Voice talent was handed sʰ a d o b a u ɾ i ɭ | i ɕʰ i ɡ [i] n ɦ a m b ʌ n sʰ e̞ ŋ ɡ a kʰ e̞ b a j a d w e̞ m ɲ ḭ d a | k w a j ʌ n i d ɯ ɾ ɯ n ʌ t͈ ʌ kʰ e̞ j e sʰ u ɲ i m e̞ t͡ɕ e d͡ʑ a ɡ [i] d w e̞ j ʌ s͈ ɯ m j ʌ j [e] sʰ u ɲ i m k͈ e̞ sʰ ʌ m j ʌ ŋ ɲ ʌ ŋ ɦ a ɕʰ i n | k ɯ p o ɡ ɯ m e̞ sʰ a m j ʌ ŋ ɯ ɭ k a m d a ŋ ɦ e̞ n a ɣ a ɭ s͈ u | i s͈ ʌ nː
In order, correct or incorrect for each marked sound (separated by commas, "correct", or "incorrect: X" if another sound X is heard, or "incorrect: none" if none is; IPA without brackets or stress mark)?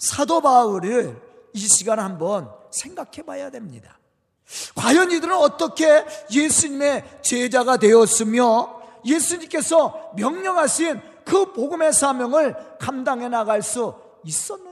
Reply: incorrect: a, incorrect: a, correct